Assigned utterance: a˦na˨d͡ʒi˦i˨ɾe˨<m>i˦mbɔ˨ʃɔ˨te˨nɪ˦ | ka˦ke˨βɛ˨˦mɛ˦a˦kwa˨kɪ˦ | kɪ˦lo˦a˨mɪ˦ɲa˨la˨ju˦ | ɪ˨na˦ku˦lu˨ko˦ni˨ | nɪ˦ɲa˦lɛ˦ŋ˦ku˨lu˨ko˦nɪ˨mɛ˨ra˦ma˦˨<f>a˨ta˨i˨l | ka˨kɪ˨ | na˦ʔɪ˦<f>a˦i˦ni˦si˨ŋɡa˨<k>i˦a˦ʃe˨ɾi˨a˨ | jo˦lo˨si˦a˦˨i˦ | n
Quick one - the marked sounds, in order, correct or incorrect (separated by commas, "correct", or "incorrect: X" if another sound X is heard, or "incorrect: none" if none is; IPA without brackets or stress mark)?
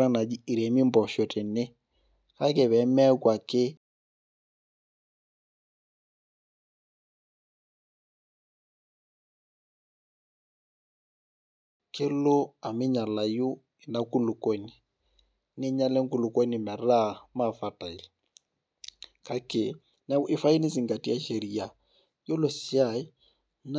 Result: correct, correct, correct, incorrect: t